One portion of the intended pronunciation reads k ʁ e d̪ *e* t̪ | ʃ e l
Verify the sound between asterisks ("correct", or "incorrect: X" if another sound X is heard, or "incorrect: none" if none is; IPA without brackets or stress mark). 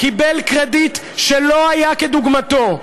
incorrect: i